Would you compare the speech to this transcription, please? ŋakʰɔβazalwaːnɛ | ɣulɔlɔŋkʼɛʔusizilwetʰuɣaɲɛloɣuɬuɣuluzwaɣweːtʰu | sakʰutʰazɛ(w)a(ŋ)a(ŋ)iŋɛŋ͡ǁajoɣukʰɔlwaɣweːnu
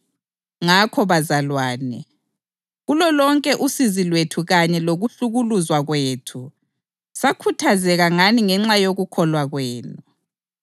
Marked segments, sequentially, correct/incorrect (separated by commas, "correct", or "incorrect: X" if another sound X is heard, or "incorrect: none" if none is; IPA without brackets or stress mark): incorrect: ɣ, correct, incorrect: n